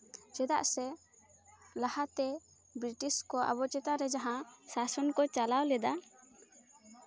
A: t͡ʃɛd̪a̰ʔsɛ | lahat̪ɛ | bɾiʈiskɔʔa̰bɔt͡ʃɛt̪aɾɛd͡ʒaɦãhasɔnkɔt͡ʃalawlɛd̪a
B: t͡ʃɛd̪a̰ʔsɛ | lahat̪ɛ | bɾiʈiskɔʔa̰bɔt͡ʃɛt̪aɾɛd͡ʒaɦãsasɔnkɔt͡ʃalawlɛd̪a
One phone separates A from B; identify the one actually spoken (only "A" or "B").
B